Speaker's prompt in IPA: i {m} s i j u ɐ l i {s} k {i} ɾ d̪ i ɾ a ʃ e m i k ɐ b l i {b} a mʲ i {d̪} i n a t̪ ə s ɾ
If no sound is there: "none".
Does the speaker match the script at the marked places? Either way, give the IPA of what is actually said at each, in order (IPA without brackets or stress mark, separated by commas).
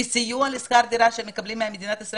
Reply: none, s, a, m, d̪